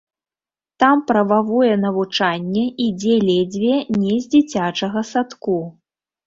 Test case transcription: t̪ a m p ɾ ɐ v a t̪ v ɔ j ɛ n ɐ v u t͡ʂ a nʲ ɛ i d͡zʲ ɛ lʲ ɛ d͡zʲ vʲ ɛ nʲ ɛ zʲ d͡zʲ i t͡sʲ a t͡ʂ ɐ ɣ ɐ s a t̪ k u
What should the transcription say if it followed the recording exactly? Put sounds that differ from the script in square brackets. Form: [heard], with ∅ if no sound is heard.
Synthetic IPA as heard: t̪ a m p ɾ ɐ v a [∅] v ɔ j ɛ n ɐ v u t͡ʂ a [nʲː] ɛ i d͡zʲ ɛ lʲ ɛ d͡zʲ vʲ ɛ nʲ ɛ zʲ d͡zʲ i t͡sʲ a t͡ʂ ɐ ɣ ɐ s a t̪ k u